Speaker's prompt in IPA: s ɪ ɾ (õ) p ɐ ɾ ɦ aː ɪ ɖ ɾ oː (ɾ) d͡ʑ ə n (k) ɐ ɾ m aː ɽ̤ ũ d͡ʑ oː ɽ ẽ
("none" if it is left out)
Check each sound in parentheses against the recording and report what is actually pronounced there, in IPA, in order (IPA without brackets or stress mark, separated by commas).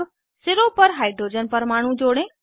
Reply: o, none, p